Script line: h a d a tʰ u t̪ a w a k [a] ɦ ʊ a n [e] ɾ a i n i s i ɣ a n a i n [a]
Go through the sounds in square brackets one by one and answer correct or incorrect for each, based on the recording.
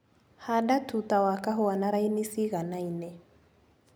correct, incorrect, incorrect

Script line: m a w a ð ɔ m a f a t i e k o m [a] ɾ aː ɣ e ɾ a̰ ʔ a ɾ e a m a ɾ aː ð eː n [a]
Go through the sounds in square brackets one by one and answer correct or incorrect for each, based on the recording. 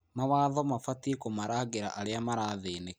correct, incorrect

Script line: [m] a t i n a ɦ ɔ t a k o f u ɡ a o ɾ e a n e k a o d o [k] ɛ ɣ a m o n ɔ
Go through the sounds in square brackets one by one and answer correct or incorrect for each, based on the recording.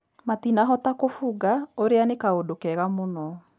correct, correct

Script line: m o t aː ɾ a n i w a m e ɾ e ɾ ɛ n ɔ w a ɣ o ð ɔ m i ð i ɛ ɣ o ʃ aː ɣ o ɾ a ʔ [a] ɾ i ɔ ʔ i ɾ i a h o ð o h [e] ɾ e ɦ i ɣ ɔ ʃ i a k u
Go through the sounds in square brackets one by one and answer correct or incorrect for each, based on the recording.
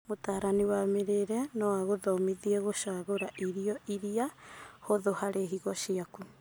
incorrect, incorrect

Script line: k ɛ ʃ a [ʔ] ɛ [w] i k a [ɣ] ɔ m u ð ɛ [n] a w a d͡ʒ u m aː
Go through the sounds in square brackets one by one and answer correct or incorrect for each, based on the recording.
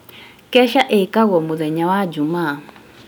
correct, incorrect, correct, incorrect

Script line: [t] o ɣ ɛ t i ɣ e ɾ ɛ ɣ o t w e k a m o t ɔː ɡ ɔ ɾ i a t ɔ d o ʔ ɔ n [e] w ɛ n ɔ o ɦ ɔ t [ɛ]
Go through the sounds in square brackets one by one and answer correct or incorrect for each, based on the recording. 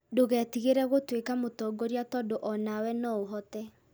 incorrect, incorrect, correct

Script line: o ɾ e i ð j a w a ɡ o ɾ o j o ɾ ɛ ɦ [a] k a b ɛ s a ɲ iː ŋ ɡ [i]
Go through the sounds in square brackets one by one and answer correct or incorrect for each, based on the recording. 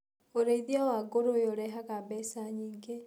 correct, incorrect

